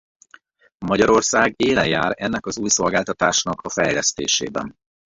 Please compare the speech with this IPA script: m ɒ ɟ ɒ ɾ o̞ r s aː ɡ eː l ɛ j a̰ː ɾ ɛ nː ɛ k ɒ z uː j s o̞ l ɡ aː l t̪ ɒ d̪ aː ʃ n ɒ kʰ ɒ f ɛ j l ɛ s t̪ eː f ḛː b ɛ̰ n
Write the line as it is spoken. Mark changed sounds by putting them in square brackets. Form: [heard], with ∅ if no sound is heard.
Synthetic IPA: m ɒ ɟ ɒ ɾ o̞ r s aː ɡ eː l ɛ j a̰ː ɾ ɛ nː ɛ k ɒ z uː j s o̞ l ɡ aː l t̪ ɒ [t̪] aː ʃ n ɒ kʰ ɒ f ɛ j l ɛ s t̪ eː [ʃ] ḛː b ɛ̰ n